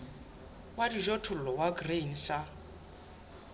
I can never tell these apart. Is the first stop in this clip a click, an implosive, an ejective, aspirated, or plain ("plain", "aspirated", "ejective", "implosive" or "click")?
plain